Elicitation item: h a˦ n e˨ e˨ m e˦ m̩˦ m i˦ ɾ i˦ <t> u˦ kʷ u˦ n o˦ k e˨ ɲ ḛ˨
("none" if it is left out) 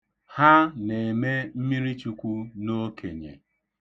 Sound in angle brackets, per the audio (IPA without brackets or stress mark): t͡ʃ